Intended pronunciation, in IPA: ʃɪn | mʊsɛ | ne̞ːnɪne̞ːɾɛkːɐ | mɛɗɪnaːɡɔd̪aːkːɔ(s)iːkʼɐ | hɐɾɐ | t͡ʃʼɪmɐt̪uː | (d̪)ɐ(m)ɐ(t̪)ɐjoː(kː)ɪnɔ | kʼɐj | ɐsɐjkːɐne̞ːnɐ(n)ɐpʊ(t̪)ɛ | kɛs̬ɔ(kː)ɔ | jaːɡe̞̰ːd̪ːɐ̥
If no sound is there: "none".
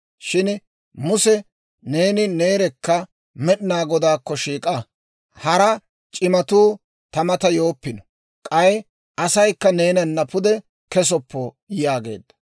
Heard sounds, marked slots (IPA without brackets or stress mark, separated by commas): ʃ, t̪, m, t̪, pː, nː, d̪, pː